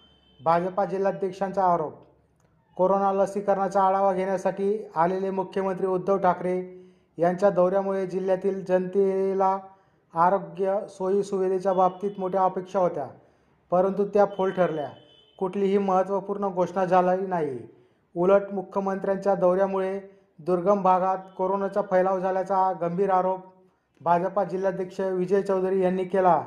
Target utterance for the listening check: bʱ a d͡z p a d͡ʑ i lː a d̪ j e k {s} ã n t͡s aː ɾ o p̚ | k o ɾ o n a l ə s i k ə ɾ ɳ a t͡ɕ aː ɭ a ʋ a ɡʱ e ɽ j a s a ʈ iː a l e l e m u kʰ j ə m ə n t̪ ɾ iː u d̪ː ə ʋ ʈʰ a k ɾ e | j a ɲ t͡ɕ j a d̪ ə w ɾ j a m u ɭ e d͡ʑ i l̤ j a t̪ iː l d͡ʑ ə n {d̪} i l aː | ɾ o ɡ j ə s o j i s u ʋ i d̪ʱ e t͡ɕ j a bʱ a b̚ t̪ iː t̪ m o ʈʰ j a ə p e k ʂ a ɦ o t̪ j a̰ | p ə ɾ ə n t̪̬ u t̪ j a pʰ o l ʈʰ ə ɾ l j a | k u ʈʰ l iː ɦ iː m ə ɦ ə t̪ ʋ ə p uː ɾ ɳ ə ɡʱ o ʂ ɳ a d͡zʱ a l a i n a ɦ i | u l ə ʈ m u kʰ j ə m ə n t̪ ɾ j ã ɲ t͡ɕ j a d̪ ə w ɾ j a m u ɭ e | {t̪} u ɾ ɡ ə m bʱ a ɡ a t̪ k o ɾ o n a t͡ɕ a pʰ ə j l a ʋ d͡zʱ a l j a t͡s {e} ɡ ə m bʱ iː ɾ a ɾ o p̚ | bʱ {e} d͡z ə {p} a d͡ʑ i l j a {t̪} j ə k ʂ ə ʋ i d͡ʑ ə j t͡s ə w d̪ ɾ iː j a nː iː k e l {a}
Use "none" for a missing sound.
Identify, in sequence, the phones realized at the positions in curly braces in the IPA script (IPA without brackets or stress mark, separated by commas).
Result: ʂ, t̪, d̪, a, a, p, d̪, a